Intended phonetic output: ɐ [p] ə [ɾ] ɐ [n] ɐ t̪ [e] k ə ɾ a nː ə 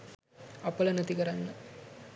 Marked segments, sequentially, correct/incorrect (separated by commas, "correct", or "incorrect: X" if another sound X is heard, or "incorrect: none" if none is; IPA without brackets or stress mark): correct, incorrect: l, correct, incorrect: i